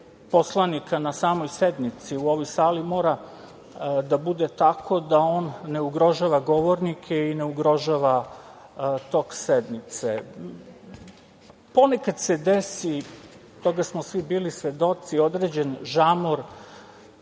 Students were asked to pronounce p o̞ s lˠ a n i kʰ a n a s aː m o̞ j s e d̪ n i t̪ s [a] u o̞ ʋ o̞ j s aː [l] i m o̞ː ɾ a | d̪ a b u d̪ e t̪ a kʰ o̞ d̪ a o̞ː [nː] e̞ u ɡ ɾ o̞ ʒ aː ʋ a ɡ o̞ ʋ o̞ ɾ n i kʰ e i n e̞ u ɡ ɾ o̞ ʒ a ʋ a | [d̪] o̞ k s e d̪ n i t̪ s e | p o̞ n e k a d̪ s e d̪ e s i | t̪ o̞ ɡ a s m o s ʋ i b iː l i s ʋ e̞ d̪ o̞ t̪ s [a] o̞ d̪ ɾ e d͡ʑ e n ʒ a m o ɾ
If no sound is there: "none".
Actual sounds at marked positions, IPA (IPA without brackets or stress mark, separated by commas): i, l, nː, t̪, i